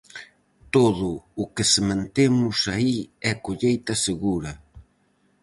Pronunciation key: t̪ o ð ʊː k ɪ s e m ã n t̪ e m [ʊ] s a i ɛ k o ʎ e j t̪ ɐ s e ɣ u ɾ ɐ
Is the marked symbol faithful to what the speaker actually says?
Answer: yes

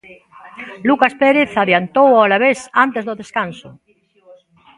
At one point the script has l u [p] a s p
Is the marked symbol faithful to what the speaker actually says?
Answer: no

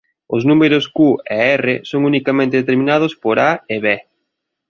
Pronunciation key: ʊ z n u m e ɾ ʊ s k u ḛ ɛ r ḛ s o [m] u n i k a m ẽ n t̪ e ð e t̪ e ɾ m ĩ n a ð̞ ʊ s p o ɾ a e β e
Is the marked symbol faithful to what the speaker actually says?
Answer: no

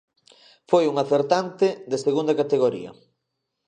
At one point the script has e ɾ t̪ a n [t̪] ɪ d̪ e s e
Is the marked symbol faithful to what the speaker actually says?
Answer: yes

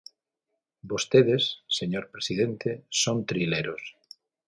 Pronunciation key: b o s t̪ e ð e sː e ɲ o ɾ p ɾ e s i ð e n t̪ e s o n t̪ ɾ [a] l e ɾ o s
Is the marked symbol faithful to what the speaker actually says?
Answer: no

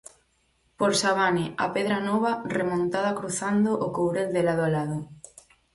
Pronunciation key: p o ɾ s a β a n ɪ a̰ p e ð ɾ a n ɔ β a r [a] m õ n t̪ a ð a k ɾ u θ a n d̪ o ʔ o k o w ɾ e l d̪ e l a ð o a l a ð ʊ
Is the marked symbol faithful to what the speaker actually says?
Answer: no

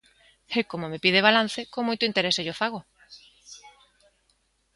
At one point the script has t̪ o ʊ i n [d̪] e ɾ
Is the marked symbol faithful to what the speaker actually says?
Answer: no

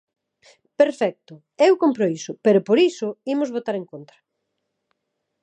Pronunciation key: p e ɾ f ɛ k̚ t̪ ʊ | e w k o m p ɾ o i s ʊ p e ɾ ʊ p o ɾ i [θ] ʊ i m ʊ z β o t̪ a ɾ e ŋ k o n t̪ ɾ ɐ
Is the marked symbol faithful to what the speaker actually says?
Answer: no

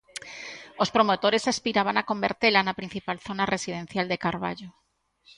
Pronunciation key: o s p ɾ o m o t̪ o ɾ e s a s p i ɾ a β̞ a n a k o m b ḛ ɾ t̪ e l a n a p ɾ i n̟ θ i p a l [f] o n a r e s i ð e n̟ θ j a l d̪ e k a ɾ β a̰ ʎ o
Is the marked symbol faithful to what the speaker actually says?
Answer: no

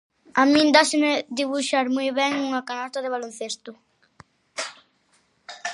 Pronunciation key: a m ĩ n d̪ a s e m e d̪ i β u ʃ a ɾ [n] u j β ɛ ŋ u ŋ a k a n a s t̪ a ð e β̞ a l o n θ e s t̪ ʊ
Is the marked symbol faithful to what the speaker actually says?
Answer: no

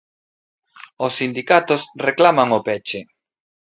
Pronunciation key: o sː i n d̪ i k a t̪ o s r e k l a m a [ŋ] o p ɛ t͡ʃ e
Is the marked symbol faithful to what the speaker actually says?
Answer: yes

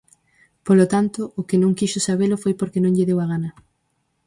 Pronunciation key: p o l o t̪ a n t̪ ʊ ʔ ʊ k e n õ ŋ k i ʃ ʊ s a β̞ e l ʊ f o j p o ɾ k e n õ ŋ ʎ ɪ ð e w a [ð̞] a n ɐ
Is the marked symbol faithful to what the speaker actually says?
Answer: no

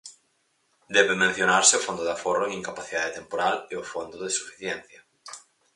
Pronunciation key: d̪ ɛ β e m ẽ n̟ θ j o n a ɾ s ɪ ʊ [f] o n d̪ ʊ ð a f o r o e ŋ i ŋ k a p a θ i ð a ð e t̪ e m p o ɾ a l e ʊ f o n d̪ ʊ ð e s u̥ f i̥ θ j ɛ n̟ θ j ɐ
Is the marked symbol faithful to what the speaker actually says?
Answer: yes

